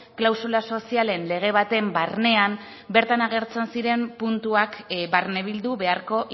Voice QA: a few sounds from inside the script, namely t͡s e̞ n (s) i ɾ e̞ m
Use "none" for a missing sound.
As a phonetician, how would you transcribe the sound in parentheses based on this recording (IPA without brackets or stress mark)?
s